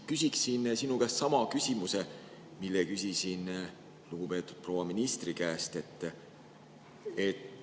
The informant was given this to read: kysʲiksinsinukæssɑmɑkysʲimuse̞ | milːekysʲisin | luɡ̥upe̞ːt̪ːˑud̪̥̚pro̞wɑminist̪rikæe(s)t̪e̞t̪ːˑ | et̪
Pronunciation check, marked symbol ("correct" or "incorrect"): correct